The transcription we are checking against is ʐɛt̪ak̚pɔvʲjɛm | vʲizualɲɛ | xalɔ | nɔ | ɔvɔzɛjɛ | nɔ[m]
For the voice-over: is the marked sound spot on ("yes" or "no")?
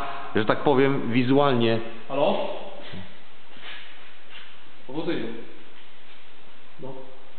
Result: no